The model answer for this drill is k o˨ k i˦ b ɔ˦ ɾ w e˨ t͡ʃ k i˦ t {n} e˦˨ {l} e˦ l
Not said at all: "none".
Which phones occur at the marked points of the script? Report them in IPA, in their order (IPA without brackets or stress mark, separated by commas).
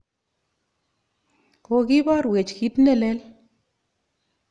n, l